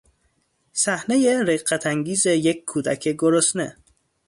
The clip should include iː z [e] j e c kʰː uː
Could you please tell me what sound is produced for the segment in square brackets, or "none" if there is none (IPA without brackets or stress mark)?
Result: e